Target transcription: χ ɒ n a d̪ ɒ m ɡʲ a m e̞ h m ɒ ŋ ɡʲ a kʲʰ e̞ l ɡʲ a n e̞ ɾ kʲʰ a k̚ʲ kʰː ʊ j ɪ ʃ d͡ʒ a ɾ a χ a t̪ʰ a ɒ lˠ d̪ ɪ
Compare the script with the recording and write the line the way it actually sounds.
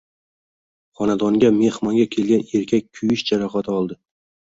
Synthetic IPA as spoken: χ ɒ n a d̪ ɒ ŋ ɡʲ a m e̞ h m ɒ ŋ ɡʲ a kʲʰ e̞ l ɡʲ a n e̞ ɾ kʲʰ a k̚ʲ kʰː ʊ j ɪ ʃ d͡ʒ a ɾ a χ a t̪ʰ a ɒ lˠ d̪ ɪ